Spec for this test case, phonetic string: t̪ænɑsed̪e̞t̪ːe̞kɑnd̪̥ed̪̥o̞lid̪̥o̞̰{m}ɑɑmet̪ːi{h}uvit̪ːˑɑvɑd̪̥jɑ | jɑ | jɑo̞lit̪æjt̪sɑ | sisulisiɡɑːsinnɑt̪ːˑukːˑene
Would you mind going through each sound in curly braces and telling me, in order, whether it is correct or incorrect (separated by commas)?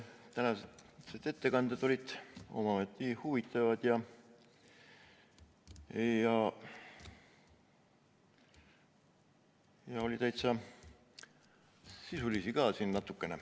correct, correct